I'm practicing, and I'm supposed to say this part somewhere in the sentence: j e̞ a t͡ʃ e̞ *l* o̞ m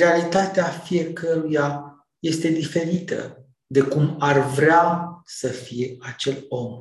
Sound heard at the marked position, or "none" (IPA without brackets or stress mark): l